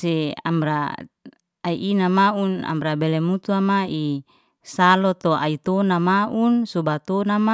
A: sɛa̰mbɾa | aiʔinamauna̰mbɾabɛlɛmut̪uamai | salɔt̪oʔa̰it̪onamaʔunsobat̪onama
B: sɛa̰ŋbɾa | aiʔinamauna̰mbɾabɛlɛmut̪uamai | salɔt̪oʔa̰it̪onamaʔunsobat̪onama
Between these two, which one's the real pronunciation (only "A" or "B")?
A